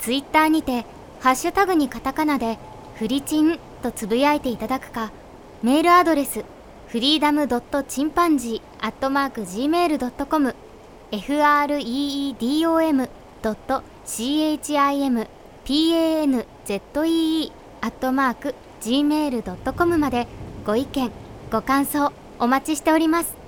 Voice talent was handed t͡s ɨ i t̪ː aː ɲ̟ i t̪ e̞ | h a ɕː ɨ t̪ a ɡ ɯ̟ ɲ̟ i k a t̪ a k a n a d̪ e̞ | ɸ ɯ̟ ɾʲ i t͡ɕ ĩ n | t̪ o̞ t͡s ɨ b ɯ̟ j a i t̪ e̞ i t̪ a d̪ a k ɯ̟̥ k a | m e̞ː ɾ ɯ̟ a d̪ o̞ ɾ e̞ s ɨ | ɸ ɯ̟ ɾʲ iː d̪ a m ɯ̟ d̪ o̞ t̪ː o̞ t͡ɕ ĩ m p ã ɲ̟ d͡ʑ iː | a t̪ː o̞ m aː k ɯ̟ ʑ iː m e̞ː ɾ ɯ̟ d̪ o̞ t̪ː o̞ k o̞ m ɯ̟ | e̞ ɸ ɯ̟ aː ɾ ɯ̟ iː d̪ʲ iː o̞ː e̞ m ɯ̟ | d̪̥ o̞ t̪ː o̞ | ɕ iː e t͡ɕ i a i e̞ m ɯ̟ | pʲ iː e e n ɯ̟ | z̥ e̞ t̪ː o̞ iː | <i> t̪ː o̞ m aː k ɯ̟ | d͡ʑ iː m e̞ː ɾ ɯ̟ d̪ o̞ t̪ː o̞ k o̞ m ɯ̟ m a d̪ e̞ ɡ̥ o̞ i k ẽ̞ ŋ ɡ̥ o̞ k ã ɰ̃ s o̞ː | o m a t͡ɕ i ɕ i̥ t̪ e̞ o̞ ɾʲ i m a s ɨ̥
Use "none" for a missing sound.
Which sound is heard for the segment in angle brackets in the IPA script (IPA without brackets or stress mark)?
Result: a